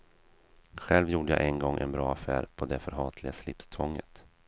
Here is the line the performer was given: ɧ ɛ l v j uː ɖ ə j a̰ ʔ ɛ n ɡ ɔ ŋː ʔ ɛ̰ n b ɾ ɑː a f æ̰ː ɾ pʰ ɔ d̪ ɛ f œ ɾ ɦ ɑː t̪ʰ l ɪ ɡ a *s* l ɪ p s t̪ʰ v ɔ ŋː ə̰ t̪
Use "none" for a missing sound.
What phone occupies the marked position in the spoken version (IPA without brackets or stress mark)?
s